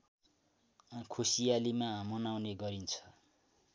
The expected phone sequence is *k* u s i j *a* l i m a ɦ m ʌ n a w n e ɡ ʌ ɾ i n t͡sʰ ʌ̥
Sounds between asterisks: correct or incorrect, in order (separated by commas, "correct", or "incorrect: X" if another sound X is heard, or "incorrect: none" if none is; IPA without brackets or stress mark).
incorrect: kʰ, correct